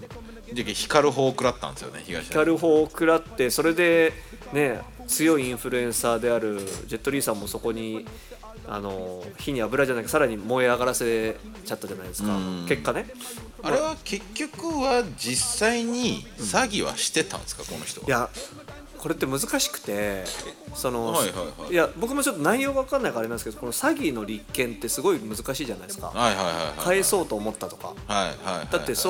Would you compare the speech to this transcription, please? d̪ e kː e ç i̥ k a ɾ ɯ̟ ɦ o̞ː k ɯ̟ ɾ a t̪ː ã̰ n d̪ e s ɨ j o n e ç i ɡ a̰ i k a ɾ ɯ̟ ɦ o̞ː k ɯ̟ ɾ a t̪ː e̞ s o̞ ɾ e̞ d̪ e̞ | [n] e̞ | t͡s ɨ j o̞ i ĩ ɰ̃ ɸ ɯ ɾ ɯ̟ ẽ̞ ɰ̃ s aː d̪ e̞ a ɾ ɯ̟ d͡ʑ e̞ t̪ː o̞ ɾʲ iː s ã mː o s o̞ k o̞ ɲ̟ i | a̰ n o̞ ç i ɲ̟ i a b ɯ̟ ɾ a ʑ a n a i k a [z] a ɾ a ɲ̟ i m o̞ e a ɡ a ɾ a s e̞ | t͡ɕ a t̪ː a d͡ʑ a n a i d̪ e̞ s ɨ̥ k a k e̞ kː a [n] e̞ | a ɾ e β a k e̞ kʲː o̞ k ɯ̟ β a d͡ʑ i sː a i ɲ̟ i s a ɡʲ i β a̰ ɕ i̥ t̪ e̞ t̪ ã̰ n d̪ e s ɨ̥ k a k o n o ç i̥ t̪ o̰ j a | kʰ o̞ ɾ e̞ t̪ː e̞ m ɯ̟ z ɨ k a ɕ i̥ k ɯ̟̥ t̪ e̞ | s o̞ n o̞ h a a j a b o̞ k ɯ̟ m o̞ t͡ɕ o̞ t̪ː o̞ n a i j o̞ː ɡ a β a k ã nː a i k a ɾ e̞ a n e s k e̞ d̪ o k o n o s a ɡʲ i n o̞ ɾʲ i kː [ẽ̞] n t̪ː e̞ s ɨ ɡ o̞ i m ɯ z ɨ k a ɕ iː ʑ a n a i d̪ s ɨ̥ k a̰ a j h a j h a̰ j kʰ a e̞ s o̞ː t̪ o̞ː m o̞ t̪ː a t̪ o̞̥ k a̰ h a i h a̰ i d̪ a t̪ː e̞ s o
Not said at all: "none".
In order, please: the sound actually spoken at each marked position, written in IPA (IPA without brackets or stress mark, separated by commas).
n, s, n, ẽ̞